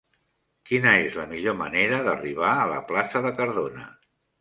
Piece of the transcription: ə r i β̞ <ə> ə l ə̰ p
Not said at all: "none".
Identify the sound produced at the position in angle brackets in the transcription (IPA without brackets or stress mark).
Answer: a